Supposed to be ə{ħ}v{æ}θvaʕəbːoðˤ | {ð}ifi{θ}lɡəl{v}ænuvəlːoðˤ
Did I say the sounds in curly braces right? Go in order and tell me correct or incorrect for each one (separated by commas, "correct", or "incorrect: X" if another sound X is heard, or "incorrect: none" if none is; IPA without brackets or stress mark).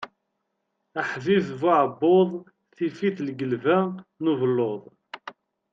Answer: correct, incorrect: i, incorrect: θ, correct, correct